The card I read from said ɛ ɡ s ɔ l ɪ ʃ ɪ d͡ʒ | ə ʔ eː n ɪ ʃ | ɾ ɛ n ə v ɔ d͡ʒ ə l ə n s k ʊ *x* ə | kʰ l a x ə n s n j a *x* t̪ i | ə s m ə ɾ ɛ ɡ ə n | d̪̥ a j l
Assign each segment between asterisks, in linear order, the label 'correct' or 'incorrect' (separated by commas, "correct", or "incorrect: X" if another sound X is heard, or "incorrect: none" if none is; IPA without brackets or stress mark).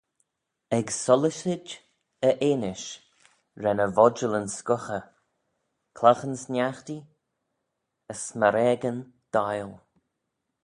correct, correct